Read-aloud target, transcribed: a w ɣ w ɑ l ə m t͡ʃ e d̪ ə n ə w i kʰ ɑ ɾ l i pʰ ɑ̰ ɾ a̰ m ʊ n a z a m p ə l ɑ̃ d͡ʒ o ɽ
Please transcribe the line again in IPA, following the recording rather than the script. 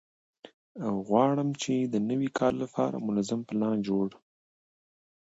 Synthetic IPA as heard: a w ɣ w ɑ ɽ ə m t͡ʃ e d̪ ə n ə w i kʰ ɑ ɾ l a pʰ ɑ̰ ɾ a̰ m ʊ n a z a m p ə l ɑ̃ d͡ʒ o ɽ